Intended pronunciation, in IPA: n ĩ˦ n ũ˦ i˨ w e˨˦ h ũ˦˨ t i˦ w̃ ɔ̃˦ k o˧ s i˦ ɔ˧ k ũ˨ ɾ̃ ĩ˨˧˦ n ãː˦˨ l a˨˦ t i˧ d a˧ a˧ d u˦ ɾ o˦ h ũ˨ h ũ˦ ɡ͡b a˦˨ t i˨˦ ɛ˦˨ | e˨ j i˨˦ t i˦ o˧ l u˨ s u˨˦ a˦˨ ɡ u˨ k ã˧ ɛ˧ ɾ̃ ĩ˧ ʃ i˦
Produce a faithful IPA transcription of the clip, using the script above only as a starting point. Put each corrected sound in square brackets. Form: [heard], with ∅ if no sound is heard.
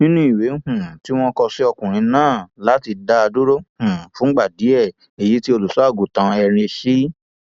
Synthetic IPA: n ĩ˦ n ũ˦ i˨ w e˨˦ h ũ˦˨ t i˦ w̃ ɔ̃˦ k [ɔ˧] s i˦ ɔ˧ k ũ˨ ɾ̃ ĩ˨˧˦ n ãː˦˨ l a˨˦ t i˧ d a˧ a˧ d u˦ ɾ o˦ h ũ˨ [f] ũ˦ ɡ͡b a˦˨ [d] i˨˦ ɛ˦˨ | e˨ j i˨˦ t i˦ o˧ l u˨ s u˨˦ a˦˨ ɡ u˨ [t] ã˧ ɛ˧ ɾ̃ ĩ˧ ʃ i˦